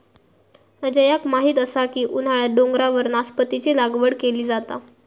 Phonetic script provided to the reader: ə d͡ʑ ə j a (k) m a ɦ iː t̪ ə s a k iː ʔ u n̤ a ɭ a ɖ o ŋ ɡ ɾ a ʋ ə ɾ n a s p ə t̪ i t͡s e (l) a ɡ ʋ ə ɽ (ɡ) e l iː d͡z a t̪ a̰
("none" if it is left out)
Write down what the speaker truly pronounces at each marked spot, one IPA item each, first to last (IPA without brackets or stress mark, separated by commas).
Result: k, l, k